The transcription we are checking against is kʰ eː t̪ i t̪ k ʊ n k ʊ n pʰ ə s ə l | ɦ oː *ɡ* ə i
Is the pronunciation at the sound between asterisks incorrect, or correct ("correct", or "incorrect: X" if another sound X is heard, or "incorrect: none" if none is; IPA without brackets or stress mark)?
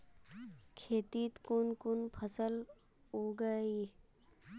correct